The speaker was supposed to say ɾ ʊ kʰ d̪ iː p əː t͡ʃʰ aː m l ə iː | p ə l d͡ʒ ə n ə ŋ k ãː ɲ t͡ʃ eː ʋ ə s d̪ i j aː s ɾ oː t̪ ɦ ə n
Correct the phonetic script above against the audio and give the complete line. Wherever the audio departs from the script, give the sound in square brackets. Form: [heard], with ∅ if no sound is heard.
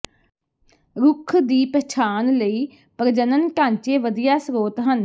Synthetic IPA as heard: ɾ ʊ kʰ d̪ iː p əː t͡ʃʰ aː [n] l ə iː | p ə [ɾ] d͡ʒ ə n ə [n] k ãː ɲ t͡ʃ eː ʋ ə [∅] d̪ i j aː s ɾ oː t̪ ɦ ə n